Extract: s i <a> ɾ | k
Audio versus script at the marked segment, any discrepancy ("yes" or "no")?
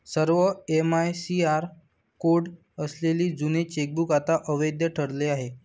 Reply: no